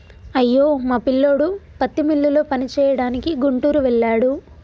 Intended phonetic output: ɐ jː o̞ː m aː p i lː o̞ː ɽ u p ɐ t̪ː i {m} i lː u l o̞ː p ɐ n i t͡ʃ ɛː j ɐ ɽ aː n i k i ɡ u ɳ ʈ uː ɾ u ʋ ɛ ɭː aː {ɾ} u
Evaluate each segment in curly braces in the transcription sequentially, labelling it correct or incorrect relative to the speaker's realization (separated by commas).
correct, incorrect